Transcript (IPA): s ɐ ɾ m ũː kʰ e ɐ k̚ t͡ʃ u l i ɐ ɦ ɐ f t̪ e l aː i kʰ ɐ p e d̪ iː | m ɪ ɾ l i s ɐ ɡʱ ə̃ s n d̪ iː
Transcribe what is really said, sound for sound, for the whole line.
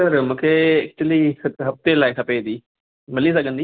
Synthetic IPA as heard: s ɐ ɾ m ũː kʰ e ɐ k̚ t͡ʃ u l i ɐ ɦ ɐ f t̪ e l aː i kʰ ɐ p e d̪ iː | m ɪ l i s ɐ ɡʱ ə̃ n d̪ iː